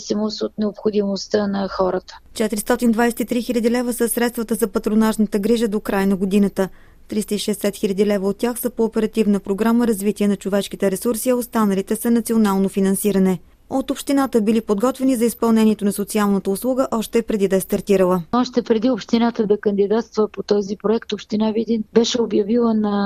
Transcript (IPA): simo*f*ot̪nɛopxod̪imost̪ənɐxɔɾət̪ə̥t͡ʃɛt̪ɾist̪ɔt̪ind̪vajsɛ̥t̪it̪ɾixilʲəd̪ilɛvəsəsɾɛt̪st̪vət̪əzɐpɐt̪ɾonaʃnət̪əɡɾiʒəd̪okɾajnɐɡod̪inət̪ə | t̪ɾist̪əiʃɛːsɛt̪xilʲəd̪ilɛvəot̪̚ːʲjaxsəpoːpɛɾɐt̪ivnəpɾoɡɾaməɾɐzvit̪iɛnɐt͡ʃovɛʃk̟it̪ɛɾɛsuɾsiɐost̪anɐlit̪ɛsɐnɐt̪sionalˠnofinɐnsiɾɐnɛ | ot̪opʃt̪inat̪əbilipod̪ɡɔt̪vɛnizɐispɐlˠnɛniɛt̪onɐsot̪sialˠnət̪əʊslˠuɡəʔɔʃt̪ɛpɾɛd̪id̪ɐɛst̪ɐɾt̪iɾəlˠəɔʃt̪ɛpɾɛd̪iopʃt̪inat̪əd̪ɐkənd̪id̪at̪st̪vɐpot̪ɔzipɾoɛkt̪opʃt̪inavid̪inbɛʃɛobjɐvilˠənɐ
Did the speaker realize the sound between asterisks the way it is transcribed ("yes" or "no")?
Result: no